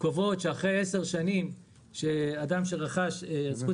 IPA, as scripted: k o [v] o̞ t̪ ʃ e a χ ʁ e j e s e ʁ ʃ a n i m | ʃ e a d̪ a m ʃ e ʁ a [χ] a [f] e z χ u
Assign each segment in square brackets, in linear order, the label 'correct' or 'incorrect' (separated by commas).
correct, correct, incorrect